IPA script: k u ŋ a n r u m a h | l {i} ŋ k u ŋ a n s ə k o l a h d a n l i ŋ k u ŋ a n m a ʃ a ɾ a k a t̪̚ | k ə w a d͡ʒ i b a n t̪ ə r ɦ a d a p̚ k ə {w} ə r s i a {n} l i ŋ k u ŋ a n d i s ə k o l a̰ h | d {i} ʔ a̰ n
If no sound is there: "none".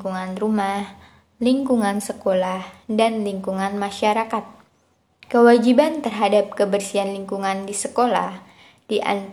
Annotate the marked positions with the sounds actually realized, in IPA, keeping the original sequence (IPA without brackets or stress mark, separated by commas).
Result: i, b, n, i